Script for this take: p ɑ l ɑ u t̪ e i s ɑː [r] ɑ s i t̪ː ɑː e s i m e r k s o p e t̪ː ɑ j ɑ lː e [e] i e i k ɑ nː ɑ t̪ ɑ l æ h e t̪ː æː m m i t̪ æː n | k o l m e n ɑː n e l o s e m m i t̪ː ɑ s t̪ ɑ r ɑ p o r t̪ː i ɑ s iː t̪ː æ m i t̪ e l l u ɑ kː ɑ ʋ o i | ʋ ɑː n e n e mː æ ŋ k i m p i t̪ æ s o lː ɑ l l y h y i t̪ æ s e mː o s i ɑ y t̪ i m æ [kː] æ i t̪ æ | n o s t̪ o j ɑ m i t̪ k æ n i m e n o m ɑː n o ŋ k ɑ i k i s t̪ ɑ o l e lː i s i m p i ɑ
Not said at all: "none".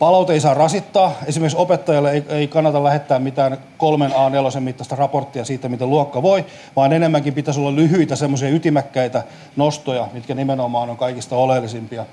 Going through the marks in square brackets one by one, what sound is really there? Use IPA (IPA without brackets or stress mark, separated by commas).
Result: r, e, kː